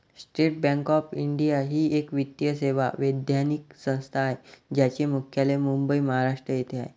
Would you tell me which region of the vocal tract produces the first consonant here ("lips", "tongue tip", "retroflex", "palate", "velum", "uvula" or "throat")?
tongue tip